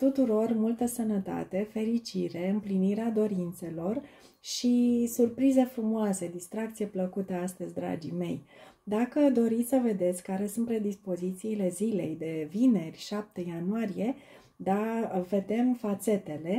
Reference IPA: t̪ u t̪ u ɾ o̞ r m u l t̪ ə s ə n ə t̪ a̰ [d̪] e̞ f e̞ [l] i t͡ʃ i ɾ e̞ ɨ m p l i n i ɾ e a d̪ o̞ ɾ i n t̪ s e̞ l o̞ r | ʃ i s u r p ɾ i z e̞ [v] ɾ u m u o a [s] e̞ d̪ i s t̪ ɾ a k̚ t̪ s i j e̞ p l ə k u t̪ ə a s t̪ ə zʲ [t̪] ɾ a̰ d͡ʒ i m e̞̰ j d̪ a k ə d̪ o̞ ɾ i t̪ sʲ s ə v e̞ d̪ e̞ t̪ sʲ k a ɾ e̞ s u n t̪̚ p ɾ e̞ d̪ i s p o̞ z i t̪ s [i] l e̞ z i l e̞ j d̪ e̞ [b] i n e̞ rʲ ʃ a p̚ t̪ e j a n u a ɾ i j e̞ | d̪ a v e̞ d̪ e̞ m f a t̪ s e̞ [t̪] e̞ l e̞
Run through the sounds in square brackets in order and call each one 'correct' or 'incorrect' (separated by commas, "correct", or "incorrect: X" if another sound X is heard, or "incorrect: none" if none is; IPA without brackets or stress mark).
incorrect: t̪, incorrect: ɾ, incorrect: f, correct, incorrect: d̪, incorrect: iː, incorrect: v, correct